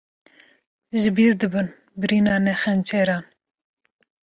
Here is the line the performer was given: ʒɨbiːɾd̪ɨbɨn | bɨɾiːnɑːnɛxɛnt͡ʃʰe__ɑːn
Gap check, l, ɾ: ɾ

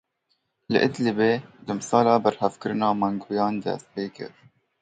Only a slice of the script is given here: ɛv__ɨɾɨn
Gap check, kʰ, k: k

